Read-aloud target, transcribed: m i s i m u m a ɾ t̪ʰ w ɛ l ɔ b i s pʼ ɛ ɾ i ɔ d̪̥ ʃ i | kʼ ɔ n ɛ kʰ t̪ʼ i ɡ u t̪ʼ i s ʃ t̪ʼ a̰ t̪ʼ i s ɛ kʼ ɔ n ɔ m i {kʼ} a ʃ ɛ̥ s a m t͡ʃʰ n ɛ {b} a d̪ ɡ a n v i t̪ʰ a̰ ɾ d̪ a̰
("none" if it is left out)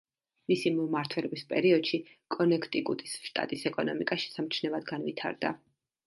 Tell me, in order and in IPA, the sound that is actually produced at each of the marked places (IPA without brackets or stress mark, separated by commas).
kʼ, v